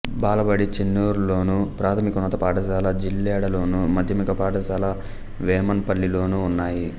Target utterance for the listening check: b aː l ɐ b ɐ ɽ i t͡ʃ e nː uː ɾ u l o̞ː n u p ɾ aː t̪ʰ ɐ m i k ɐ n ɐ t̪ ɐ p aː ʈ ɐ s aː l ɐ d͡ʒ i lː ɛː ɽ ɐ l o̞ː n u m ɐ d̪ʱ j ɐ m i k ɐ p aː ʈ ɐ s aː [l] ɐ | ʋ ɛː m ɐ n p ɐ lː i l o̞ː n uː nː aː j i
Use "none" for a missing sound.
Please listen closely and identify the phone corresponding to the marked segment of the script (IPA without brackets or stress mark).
l